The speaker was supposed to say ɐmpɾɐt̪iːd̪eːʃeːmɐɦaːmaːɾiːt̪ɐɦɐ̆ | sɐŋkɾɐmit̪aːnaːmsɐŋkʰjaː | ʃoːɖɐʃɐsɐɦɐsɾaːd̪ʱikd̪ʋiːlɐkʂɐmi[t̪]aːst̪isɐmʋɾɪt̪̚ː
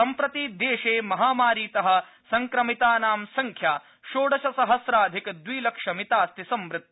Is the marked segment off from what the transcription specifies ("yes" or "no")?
no